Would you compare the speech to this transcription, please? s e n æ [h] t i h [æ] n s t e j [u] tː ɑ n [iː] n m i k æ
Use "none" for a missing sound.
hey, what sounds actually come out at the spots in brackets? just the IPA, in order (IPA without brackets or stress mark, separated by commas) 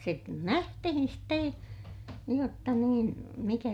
h, i, o, iː